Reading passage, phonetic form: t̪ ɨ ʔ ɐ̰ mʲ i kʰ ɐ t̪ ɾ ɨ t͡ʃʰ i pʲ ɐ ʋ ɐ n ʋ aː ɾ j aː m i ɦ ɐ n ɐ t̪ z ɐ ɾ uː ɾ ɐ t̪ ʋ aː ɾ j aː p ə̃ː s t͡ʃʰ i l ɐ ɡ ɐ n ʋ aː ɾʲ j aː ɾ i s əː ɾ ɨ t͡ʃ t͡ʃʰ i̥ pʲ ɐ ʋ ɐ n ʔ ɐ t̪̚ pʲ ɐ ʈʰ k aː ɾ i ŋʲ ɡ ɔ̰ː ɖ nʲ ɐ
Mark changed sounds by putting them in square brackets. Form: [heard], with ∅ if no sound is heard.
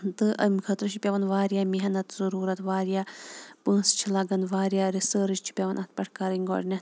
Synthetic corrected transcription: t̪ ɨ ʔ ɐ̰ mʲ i kʰ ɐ t̪ ɾ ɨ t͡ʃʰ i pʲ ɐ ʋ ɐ n ʋ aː ɾ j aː m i ɦ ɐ n ɐ t̪ z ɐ ɾ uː ɾ ɐ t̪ ʋ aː ɾ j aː p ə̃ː s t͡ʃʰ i l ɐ ɡ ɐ n ʋ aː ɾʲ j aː ɾ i s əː ɾ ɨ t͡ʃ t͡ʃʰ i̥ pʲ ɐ ʋ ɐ n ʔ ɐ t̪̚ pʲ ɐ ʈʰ k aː ɾ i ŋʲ ɡ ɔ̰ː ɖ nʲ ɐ